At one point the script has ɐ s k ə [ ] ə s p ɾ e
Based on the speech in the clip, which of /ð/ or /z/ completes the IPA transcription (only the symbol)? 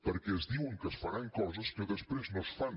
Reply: ð